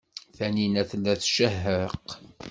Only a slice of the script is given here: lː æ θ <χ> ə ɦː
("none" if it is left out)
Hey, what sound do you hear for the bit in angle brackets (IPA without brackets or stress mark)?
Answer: ʃ